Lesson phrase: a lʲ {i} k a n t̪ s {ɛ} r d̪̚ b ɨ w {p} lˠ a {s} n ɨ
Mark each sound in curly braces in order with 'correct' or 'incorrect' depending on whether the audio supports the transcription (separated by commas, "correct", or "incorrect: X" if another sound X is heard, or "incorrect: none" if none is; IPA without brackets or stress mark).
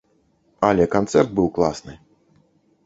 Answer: incorrect: ɛ, correct, incorrect: k, correct